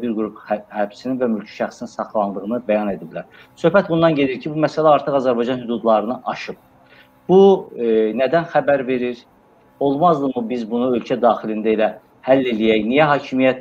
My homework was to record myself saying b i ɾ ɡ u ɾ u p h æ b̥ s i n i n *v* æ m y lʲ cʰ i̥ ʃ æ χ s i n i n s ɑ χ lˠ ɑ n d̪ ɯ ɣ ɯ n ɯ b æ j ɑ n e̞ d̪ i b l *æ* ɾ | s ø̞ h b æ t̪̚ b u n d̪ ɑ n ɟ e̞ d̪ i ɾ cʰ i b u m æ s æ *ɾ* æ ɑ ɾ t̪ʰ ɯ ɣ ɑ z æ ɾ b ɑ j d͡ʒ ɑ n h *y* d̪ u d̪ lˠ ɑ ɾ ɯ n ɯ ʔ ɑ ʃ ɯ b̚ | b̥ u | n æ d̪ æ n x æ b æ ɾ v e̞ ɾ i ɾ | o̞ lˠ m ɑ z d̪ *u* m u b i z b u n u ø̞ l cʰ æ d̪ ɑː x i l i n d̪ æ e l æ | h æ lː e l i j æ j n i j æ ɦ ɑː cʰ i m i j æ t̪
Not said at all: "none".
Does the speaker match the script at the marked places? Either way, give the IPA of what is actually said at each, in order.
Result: v, æ, l, y, ɯ

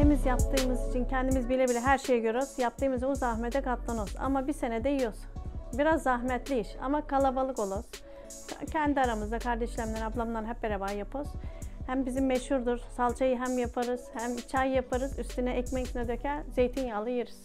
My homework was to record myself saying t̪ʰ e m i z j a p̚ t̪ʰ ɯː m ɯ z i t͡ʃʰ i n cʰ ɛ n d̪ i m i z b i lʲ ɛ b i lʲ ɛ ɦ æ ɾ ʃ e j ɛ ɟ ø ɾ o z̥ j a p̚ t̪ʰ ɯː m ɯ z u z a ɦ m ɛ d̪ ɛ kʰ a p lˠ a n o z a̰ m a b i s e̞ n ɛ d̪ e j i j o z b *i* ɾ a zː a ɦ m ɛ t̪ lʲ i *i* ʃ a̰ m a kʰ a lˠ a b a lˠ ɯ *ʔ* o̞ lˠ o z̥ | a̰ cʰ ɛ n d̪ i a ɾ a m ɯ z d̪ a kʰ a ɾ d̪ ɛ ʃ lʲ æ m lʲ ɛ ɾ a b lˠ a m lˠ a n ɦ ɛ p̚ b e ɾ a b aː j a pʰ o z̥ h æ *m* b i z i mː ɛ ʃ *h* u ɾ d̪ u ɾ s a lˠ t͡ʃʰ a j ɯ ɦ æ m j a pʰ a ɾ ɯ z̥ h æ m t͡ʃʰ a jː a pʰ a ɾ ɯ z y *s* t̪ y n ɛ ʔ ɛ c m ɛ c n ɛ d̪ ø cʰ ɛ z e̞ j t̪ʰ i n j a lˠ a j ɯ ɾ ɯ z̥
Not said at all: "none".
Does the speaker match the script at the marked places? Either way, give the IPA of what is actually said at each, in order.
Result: i, i, k, m, h, s

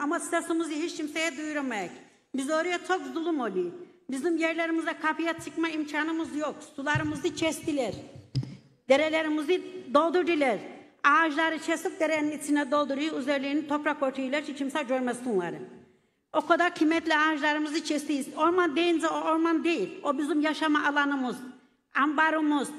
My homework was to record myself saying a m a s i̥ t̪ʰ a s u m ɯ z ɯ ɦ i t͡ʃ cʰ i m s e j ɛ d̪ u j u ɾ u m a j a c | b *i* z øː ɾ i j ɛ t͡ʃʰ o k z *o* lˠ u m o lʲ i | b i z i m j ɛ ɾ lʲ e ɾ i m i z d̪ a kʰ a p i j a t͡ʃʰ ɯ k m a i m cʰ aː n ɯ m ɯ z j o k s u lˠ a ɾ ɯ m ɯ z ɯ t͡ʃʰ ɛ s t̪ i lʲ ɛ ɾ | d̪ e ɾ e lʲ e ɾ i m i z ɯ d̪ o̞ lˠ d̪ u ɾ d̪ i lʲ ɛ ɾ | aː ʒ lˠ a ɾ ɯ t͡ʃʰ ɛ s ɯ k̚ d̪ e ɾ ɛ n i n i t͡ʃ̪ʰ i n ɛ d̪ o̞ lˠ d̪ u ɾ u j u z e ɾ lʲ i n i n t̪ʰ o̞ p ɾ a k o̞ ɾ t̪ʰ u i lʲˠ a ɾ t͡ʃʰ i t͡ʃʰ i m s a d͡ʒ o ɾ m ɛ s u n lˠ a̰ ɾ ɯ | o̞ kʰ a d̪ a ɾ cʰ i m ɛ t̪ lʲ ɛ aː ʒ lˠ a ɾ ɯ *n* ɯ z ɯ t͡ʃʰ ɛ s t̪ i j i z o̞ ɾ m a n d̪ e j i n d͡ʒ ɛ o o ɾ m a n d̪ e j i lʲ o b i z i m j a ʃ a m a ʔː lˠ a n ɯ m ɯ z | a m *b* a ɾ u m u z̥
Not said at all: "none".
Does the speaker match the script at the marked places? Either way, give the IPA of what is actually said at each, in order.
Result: i, u, m, b

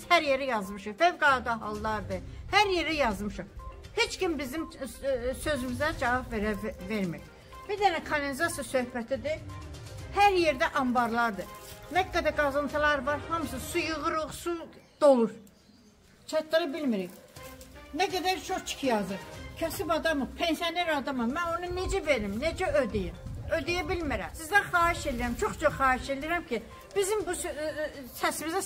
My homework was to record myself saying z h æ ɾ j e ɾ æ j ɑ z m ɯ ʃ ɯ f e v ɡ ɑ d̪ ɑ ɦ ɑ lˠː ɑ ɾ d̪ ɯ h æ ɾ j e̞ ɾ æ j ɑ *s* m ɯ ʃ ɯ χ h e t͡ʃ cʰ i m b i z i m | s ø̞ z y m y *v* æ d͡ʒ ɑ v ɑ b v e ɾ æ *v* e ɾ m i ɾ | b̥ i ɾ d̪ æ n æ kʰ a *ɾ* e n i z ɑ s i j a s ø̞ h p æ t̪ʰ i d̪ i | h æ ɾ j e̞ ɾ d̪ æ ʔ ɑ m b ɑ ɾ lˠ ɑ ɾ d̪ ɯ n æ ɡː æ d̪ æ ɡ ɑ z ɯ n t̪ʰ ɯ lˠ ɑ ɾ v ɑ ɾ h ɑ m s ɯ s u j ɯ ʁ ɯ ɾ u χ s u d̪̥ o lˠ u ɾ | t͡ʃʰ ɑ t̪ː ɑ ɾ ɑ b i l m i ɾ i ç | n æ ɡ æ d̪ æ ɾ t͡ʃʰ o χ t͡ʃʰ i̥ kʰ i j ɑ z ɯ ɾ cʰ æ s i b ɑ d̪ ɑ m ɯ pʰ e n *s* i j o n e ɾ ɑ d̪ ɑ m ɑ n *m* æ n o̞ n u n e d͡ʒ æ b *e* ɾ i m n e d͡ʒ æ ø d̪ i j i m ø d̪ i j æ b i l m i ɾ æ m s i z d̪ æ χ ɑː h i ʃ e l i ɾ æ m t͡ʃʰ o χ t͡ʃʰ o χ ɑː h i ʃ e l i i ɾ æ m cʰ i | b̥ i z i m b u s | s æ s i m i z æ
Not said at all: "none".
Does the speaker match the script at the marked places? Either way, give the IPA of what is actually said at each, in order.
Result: z, z, v, l, s, m, e

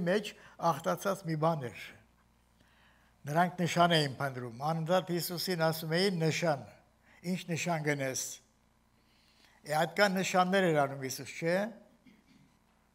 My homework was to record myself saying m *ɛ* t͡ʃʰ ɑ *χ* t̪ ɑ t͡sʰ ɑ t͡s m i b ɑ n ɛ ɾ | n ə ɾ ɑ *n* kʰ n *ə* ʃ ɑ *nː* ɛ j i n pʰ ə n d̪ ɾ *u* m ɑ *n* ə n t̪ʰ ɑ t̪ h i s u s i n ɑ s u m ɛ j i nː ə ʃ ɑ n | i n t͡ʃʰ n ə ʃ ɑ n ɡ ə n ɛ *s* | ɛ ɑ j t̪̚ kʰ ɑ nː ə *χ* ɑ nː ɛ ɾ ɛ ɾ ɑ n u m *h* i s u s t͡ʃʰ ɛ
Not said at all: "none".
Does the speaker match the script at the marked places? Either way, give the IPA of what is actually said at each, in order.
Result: ɛ, χ, ŋ, ə, n, u, n, s, ʃ, h

